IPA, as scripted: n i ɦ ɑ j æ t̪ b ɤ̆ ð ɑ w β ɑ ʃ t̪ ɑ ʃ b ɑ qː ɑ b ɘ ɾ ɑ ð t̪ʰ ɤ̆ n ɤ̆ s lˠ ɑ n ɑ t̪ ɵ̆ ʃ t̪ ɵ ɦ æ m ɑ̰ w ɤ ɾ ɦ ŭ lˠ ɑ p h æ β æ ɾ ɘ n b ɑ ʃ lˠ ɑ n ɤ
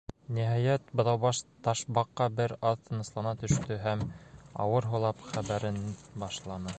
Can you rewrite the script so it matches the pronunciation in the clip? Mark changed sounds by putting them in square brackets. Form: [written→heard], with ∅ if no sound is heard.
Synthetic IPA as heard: n i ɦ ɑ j æ t̪ b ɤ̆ ð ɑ w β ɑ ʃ t̪ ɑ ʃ b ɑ qː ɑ b ɘ ɾ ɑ ð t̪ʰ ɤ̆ n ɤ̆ s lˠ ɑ n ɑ t̪ ɵ̆ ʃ t̪ ɵ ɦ æ m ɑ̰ w ɤ ɾ ɦ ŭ lˠ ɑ p [h→χ] æ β æ ɾ ɘ n b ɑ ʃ lˠ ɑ n ɤ